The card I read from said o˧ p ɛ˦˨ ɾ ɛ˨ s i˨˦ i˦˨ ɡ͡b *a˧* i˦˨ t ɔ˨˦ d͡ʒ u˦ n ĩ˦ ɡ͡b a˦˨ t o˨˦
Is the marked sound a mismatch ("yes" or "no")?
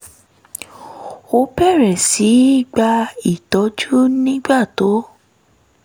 no